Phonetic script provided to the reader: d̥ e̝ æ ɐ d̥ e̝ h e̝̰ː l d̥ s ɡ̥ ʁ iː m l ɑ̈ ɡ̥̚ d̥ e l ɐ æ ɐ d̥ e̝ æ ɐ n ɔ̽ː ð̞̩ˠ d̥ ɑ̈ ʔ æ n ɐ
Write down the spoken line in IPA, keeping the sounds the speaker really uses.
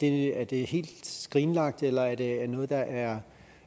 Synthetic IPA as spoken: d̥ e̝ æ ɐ d̥ e̝ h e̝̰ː l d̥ s ɡ̥ ʁ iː n l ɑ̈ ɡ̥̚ d̥ e l ɐ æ ɐ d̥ e̝ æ ɐ n ɔ̽ː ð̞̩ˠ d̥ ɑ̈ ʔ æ ɐ